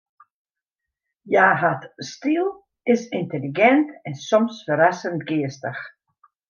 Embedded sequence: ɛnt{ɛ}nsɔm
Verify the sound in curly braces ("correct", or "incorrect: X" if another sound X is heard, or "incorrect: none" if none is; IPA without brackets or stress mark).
correct